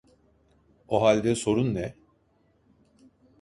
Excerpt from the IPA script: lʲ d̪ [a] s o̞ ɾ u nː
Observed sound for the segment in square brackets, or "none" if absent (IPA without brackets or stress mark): ɛ